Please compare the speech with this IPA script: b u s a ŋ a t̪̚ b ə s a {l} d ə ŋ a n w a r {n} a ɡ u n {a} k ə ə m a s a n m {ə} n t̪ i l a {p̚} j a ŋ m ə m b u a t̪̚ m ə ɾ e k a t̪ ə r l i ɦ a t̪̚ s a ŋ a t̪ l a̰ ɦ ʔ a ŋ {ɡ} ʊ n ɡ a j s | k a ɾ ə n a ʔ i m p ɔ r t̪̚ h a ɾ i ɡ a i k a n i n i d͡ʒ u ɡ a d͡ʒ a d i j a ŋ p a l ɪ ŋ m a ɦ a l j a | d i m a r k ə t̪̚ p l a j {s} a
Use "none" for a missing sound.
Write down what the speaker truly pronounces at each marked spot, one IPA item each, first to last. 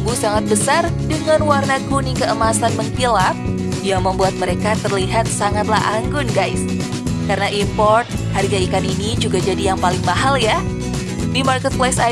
r, n, i, ə, p̚, ɡ, s

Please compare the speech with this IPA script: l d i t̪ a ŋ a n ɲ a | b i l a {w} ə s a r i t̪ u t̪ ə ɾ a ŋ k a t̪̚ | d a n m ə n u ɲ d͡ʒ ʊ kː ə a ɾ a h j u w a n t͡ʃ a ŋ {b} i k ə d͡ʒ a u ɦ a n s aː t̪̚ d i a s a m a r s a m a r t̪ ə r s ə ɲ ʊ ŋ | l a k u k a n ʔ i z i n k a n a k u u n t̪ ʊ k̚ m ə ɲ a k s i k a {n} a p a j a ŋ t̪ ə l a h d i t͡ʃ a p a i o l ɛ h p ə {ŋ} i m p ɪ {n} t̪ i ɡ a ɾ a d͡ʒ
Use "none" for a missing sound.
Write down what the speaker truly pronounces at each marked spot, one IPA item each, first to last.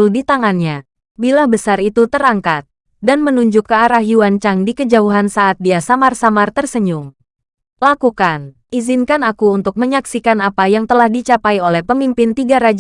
b, d, n, m, n

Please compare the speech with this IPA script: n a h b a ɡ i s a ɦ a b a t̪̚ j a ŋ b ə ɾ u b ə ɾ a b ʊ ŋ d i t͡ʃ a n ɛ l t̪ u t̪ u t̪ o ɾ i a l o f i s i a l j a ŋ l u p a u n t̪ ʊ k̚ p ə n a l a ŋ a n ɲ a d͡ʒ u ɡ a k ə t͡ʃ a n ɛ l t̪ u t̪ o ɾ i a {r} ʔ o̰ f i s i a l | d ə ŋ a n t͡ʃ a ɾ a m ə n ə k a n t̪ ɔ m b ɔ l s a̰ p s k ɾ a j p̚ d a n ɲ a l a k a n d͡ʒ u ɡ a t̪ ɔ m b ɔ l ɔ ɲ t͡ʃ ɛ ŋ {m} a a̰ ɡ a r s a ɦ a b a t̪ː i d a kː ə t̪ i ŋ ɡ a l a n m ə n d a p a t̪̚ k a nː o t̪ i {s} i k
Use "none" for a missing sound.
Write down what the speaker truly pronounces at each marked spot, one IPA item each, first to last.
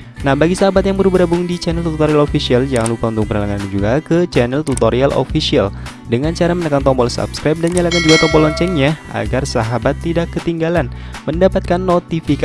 l, ɲ, f

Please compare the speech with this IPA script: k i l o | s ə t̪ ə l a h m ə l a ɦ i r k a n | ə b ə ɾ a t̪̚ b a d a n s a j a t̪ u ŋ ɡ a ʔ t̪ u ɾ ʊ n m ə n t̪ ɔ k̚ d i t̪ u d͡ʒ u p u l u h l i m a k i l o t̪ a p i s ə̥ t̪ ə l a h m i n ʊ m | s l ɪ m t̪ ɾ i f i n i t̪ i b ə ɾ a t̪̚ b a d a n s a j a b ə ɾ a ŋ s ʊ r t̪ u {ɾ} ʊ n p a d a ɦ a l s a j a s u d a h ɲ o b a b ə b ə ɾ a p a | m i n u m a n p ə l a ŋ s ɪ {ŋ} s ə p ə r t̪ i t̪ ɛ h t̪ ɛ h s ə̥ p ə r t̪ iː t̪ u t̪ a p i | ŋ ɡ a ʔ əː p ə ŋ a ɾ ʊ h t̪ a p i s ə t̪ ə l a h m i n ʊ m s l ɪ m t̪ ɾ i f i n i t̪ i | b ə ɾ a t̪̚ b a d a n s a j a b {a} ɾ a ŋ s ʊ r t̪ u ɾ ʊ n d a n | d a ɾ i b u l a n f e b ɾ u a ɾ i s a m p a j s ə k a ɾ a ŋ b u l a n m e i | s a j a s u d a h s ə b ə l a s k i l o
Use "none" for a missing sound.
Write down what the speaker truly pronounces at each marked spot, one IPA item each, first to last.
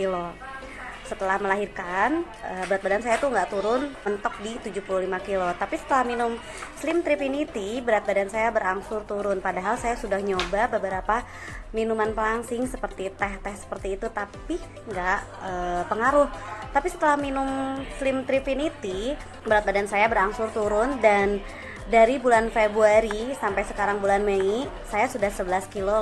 ɾ, ŋ, ə

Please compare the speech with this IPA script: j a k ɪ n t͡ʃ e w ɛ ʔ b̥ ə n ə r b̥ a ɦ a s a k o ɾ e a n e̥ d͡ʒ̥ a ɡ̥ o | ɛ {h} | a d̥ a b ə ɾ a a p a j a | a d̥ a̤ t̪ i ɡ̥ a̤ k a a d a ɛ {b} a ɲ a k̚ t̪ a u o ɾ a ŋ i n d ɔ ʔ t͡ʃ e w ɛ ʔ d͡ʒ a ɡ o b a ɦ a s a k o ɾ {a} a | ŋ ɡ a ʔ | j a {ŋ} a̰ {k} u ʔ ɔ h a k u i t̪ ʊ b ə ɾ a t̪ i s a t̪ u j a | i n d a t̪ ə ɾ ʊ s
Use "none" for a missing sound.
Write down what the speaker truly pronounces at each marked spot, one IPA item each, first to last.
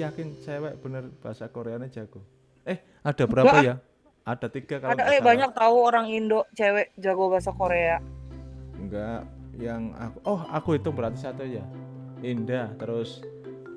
h, b, e, ŋ, k

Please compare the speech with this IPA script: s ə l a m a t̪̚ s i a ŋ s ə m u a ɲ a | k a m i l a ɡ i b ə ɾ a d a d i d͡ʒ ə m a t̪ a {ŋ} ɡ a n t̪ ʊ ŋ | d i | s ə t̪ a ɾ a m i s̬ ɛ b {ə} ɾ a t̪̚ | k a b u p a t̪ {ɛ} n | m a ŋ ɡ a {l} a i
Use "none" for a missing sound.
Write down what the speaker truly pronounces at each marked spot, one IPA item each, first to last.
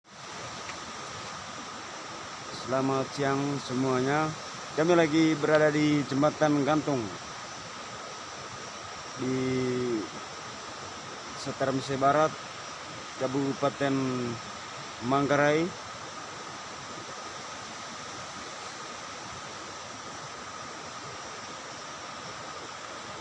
n, a, ɛ, ɾ

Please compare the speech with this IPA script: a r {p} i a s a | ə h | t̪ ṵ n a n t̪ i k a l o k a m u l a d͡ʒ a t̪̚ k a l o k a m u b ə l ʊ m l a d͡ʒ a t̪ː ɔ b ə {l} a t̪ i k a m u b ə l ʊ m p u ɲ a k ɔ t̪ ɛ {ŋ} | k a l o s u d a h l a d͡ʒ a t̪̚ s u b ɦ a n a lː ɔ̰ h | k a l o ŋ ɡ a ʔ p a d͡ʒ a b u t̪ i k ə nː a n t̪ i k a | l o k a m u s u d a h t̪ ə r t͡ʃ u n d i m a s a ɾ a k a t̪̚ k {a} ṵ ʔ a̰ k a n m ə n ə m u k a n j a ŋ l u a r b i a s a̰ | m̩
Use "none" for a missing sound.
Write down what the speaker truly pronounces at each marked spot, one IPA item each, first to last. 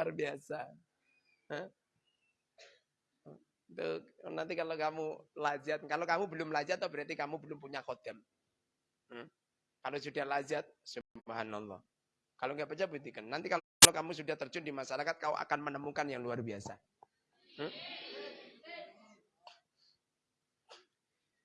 b, ɾ, m, a

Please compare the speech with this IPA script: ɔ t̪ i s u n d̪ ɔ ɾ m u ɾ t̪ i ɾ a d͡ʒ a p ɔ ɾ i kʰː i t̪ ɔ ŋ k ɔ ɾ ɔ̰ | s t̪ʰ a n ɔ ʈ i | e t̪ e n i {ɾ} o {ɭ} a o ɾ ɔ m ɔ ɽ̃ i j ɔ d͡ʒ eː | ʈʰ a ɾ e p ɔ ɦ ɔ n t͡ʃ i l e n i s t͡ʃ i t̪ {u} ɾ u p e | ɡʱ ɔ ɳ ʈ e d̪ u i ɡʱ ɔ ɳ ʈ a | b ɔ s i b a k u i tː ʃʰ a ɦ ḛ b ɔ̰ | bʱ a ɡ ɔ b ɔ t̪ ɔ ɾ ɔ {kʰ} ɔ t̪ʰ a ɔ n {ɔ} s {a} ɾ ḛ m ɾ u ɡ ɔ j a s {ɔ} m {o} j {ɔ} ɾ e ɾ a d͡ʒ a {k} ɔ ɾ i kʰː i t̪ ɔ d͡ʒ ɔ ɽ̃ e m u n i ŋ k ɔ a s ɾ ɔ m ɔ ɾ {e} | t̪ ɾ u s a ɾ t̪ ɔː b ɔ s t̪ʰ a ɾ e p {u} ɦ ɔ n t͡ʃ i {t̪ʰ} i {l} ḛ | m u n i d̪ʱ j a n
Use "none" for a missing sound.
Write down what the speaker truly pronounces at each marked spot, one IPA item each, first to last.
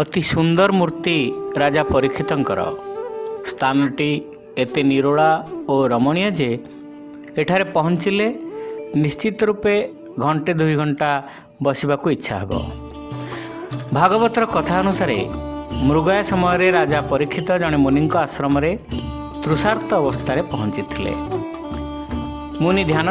ɾ, ɭ, ɔ, k, u, a, ɔ, ɔ, ɔ, p, e, ɔ, t̪ʰ, l

